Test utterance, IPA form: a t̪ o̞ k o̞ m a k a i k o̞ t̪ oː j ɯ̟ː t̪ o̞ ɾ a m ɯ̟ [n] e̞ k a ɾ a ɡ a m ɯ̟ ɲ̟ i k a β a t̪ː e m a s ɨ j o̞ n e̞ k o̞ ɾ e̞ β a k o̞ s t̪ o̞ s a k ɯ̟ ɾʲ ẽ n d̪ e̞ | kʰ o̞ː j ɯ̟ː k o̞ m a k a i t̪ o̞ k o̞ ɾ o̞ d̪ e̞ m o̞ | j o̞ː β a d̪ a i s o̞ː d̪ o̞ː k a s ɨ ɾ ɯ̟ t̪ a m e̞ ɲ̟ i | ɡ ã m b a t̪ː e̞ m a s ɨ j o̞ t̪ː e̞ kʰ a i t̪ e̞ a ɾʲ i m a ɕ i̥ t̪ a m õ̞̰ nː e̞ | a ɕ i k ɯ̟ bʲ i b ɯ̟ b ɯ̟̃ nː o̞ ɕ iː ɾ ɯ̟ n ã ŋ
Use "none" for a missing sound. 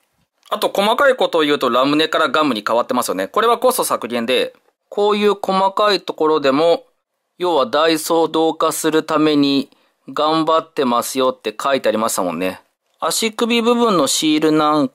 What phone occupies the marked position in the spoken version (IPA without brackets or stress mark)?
n